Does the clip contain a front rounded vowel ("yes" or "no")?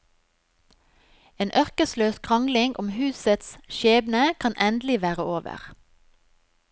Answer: yes